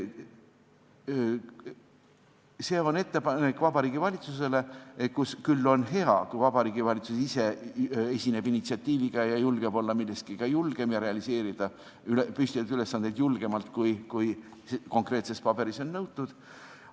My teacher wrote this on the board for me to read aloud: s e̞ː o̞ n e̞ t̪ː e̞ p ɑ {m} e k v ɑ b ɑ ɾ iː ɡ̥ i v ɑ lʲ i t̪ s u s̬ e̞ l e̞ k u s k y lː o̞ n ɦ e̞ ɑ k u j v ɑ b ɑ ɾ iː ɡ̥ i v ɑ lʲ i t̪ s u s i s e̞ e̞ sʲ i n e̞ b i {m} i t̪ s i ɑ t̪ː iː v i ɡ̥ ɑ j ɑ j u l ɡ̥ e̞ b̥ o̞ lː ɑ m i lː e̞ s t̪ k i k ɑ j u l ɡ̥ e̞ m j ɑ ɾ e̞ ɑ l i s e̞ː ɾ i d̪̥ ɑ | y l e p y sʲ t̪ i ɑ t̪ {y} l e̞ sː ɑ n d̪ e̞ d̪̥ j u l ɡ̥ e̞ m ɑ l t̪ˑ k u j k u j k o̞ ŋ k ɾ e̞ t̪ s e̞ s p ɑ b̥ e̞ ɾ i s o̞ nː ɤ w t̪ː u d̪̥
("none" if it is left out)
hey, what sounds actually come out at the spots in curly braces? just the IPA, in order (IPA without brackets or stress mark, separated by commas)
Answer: n, n, y